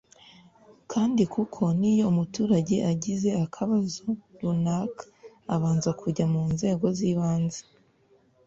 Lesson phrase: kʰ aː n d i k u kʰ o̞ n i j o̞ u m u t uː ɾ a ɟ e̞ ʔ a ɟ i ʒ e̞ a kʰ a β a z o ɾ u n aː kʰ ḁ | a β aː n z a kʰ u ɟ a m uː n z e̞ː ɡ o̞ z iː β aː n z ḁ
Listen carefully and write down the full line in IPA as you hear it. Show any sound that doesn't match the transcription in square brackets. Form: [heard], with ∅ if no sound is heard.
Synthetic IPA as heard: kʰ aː n d i k u kʰ o̞ n i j o̞ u m u t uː ɾ a ɟ e̞ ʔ a ɟ i [z] e̞ a kʰ a β a z o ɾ u n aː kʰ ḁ | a β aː n z a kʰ u ɟ a m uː n z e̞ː ɡ o̞ z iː β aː n z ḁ